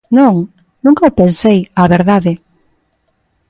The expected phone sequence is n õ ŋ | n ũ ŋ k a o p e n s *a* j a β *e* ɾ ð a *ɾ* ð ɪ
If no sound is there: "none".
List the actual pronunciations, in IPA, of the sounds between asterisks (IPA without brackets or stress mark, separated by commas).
e, e, none